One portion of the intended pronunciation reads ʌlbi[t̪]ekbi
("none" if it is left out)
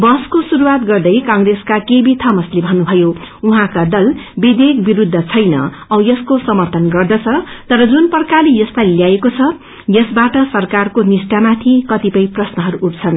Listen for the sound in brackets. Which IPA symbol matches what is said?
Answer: d̪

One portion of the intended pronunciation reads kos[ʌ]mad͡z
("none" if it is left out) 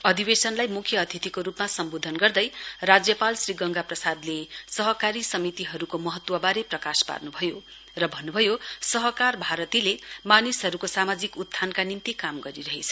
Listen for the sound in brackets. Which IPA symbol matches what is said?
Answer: a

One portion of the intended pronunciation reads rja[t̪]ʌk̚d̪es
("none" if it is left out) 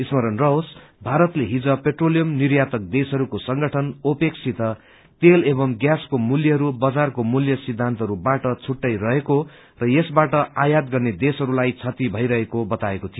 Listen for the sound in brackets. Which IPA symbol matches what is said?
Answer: t̪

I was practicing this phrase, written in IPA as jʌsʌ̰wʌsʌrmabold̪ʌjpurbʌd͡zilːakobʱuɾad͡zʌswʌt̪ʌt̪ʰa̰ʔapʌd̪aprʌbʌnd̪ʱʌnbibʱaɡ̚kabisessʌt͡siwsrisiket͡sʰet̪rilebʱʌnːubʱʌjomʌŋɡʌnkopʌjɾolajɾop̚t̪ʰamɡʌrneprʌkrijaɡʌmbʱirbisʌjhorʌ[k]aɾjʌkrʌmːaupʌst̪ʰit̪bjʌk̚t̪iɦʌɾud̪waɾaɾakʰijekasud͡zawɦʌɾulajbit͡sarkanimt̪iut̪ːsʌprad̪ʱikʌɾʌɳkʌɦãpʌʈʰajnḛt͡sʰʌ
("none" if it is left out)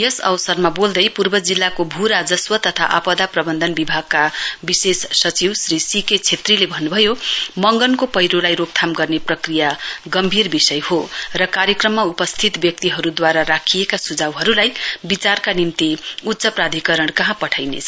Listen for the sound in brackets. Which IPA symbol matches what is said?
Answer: k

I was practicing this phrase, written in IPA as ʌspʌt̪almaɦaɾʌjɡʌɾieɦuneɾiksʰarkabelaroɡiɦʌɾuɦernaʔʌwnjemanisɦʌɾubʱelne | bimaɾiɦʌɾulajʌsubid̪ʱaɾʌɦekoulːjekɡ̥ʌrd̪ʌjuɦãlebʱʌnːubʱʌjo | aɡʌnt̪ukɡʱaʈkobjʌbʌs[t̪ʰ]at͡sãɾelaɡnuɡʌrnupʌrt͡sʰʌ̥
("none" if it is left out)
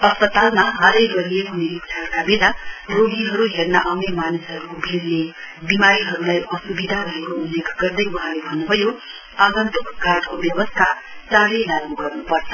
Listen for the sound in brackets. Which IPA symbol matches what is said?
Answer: t̪ʰ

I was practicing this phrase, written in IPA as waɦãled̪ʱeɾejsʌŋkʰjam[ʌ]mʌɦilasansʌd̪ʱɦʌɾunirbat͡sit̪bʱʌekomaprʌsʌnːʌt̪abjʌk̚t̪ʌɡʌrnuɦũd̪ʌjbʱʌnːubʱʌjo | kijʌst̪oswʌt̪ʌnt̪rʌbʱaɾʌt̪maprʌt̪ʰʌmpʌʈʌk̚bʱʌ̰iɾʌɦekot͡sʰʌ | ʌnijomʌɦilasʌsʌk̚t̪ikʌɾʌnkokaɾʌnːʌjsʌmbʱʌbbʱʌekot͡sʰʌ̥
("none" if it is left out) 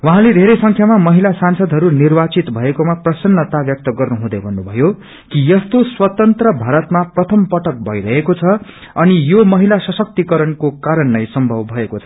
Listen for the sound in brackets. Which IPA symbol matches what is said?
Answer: a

